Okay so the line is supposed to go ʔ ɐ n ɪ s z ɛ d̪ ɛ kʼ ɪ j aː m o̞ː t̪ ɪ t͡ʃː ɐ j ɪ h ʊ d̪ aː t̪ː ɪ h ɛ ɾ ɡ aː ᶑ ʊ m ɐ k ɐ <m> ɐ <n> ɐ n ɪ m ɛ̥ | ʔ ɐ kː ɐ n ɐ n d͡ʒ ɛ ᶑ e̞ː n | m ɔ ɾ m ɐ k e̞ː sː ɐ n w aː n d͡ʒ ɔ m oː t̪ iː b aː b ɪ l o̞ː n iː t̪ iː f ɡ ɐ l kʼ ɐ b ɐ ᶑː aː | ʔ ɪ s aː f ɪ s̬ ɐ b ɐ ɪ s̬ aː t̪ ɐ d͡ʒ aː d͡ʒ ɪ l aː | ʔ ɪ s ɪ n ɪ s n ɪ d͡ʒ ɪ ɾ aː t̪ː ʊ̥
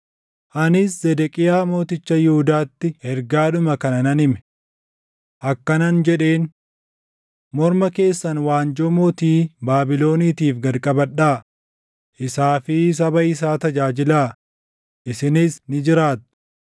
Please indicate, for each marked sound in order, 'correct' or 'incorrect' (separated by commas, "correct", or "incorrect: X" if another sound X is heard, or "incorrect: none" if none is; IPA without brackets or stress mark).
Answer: incorrect: n, correct